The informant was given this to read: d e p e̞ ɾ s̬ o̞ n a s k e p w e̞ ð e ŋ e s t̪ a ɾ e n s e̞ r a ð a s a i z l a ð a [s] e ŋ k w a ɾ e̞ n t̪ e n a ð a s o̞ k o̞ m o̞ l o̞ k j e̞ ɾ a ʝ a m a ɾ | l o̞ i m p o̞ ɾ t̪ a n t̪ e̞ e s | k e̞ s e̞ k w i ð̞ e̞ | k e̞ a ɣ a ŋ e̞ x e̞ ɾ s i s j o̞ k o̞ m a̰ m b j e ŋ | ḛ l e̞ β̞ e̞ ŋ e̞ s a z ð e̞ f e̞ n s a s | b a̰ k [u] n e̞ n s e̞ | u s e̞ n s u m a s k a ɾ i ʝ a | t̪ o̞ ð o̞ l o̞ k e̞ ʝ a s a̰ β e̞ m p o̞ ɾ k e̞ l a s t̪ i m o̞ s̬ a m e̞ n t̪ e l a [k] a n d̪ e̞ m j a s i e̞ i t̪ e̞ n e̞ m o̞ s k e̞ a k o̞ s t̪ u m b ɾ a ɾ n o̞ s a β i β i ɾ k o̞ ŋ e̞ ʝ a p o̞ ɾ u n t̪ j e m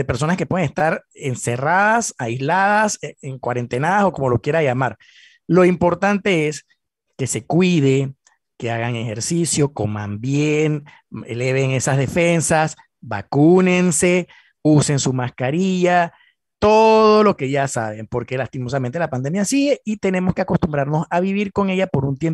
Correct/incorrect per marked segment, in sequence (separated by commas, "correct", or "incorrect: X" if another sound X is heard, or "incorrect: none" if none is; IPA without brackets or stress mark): correct, correct, incorrect: p